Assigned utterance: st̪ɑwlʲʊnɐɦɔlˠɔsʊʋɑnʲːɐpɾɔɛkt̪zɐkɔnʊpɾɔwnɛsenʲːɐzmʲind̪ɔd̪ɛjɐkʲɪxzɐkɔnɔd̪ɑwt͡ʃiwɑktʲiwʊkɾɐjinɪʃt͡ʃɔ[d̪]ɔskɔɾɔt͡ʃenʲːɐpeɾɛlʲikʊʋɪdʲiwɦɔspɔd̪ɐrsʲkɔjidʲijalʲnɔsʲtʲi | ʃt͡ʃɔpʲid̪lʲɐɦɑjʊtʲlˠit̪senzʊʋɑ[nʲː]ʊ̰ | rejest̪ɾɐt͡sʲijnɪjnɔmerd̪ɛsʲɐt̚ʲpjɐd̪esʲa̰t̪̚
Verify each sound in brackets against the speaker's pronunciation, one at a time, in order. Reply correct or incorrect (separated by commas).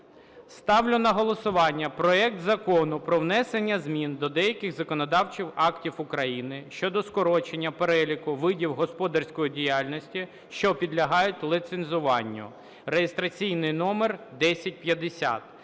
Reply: correct, correct